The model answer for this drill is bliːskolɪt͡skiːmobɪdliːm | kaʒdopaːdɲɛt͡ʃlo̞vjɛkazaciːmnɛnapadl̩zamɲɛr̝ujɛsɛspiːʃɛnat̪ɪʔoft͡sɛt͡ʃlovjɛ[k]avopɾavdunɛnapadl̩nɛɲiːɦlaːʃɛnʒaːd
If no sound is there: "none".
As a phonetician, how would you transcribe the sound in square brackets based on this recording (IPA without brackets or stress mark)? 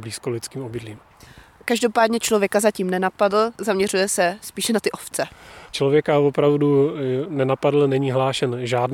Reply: k